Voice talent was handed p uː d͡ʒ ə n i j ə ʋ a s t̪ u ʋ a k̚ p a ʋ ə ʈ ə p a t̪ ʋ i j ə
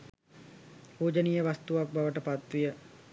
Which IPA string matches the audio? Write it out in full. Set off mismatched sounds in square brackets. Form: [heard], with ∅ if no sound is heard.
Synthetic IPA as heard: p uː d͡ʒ ə n i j ə ʋ a s t̪ u ʋ a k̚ [b] a ʋ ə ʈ ə p a t̪ ʋ i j ə